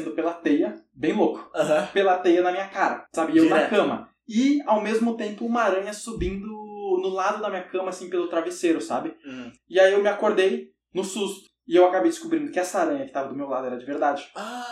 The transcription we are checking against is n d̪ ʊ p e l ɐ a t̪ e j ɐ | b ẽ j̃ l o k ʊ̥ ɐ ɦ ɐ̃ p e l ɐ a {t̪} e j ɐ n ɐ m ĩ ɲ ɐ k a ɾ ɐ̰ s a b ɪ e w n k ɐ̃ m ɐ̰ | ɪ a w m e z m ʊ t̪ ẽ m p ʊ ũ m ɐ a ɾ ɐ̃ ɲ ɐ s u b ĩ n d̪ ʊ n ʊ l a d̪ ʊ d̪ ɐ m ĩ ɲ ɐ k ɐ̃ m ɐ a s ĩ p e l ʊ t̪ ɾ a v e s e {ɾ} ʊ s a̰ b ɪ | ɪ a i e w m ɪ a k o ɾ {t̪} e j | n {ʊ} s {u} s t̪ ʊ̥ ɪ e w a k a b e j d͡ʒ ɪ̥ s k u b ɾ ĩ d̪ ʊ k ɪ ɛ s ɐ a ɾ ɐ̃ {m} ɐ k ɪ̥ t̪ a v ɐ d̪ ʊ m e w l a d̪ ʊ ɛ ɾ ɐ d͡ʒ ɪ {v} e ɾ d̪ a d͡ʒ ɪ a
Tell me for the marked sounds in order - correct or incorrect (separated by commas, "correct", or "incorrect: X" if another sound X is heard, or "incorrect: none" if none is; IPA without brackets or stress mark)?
correct, correct, incorrect: d̪, correct, correct, incorrect: ɲ, correct